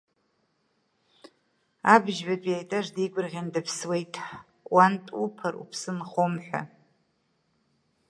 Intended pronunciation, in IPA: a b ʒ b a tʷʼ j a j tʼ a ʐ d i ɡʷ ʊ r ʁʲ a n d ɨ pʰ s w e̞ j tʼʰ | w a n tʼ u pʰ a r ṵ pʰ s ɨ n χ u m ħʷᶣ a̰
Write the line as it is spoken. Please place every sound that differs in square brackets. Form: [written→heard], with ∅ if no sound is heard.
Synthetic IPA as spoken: a b ʒ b a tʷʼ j a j tʼ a ʐ d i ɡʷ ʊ r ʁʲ a n d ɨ pʰ s w e̞ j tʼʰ | w a n tʼ u pʰ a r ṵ pʰ s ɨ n χ [u→o] m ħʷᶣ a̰